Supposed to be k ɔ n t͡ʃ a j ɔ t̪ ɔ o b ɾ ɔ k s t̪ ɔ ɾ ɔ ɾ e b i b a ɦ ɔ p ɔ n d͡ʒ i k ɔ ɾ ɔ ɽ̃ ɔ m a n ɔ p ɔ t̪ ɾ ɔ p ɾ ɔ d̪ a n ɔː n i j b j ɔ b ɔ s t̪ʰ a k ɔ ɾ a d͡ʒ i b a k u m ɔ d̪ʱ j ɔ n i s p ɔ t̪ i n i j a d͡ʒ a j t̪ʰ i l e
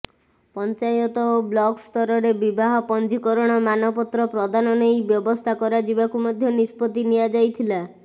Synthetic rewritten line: p ɔ n t͡ʃ a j ɔ t̪ ɔ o b l ɔ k s t̪ ɔ ɾ ɔ ɾ e b i b a ɦ ɔ p ɔ n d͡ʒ i k ɔ ɾ ɔ ɽ̃ ɔ m a n ɔ p ɔ t̪ ɾ ɔ p ɾ ɔ d̪ a n ɔ n e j b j ɔ b ɔ s t̪ʰ a k ɔ ɾ a d͡ʒ i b a k u m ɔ d̪ʱ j ɔ n i s p ɔ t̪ i n i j a d͡ʒ a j t̪ʰ i l a